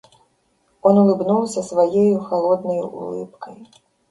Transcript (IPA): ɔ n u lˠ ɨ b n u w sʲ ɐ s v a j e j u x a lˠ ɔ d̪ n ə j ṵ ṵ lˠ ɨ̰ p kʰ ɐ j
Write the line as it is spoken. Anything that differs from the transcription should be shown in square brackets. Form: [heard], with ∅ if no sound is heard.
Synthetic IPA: ɔ n u lˠ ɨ b n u w sʲ ɐ s v a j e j u x a lˠ ɔ d̪ n [ɐ] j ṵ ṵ lˠ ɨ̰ p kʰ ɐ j